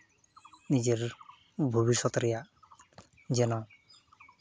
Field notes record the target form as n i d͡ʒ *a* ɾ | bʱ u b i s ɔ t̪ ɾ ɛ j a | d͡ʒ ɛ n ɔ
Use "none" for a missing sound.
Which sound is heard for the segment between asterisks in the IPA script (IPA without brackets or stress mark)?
e